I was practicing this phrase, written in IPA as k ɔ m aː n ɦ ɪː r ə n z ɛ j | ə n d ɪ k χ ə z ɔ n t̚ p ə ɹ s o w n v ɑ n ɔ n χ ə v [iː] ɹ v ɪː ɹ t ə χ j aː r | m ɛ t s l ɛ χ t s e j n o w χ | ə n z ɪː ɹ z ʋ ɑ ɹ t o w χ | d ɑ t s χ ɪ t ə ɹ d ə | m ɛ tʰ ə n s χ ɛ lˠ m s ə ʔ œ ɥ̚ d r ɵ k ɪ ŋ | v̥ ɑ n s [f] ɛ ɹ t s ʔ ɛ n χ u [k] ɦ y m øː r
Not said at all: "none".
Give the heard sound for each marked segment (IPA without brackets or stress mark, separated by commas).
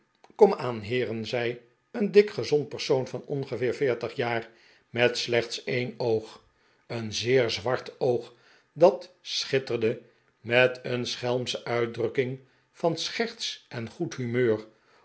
ɪː, χ, t